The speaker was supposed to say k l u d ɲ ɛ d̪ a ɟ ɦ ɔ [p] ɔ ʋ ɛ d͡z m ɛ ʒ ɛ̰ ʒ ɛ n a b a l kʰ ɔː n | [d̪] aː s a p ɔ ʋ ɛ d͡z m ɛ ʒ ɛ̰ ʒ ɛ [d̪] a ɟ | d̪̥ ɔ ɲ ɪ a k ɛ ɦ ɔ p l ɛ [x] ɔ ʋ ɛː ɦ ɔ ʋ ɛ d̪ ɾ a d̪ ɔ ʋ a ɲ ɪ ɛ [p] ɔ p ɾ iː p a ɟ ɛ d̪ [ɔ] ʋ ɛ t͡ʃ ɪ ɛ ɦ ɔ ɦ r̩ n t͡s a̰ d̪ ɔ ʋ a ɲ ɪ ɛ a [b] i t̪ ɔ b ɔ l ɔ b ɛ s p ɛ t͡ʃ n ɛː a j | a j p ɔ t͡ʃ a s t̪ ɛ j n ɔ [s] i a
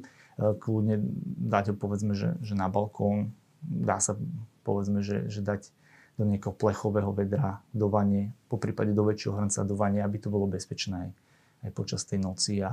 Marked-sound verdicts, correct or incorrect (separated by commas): correct, correct, correct, correct, correct, correct, correct, incorrect